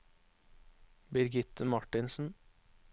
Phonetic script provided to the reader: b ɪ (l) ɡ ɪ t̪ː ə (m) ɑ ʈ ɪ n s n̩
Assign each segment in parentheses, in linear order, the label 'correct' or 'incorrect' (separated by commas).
incorrect, correct